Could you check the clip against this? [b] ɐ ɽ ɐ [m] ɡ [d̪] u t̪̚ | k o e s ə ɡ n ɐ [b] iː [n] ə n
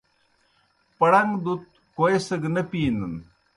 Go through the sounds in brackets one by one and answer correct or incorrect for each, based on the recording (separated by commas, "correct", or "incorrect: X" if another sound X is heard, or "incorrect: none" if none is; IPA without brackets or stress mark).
incorrect: p, incorrect: ŋ, correct, incorrect: p, correct